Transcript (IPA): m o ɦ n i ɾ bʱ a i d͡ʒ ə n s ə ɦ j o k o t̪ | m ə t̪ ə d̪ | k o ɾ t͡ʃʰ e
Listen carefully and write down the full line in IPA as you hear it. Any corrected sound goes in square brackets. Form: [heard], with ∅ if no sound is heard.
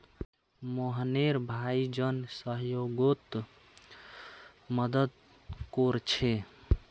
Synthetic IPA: m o ɦ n [e] ɾ bʱ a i d͡ʒ ə n s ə ɦ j o [ɡ] o t̪ | m ə [d̪] ə d̪ | k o ɾ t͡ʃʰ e